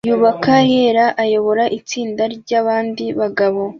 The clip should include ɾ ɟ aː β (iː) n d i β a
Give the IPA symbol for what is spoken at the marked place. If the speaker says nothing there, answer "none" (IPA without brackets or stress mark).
aː